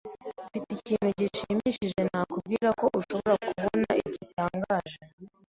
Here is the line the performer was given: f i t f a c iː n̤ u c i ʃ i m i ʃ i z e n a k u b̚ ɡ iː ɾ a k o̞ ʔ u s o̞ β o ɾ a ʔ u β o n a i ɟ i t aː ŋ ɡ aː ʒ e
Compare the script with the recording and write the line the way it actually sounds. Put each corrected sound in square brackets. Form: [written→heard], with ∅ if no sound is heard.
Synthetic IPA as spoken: f i t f [a→i] c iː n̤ u [c→ɟ] i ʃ i m i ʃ i [z→ʒ] e n a k u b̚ ɡ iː ɾ a k o̞ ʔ u [s→ʃ] o̞ β o ɾ a [ʔ→k] u β o n a i ɟ i t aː ŋ ɡ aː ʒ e